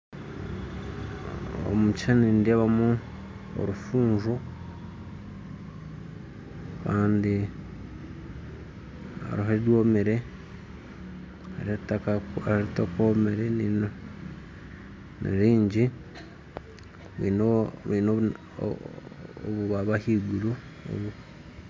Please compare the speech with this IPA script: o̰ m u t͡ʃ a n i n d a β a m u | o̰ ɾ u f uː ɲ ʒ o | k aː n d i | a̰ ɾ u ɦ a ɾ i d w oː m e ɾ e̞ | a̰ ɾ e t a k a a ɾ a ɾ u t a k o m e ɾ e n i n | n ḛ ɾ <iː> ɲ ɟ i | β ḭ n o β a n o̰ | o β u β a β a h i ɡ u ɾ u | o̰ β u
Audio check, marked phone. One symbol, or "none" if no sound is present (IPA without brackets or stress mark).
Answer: iː